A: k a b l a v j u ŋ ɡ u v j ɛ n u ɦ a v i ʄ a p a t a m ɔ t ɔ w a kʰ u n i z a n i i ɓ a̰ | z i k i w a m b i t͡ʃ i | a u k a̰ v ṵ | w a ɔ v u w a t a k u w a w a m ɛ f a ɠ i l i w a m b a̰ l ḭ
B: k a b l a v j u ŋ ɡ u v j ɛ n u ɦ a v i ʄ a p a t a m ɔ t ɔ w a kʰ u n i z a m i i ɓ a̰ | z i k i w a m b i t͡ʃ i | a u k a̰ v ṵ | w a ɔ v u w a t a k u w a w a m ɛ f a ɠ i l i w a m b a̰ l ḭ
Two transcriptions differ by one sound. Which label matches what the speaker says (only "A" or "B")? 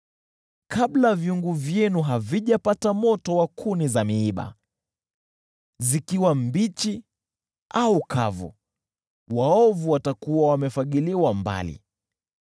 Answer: B